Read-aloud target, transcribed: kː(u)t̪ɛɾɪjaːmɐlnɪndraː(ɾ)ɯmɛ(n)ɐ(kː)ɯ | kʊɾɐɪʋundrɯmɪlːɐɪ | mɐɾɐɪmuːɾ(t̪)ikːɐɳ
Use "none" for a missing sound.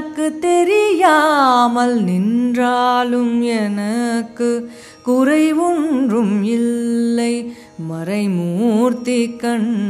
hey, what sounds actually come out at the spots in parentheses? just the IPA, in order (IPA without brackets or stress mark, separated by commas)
ɯ, l, n, kː, t̪